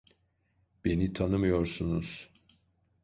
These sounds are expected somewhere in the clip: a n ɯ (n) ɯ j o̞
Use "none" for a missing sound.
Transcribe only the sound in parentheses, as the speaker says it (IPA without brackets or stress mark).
m